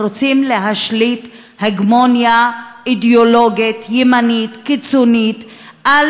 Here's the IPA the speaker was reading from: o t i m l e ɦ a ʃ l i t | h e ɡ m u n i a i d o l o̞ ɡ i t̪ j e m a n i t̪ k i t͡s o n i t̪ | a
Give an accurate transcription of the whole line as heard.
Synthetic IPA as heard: o t͡s i m l e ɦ a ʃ l i t | h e ɡ m o n j a i d o l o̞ ɡ i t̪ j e m a n i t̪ k i t͡s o n i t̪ | a